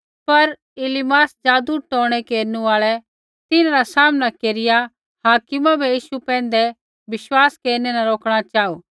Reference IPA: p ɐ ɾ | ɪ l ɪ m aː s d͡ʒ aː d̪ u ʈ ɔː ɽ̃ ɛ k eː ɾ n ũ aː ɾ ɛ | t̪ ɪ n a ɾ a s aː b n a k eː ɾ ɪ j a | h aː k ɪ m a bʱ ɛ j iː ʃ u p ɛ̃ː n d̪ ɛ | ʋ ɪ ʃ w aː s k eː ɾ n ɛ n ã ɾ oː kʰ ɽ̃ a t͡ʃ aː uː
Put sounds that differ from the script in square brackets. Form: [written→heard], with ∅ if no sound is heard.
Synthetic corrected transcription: p ɐ ɾ | ɪ l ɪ m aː s d͡ʒ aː d̪ u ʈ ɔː ɽ̃ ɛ k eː ɾ n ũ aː [ɾ→ɭ] ɛ | t̪ ɪ n a ɾ a s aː [b→m] n a k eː ɾ ɪ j a | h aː k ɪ m a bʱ ɛ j iː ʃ u p ɛ̃ː n d̪ ɛ | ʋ ɪ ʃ w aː s k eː ɾ n ɛ n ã ɾ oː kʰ ɽ̃ a t͡ʃ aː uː